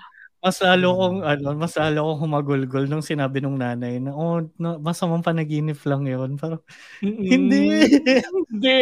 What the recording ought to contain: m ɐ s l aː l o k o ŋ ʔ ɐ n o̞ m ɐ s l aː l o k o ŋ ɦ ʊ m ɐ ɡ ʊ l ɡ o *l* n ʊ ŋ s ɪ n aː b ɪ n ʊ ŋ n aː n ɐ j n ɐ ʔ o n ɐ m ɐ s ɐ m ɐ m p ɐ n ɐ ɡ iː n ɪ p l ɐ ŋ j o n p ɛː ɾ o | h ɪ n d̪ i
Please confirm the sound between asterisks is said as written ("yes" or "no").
yes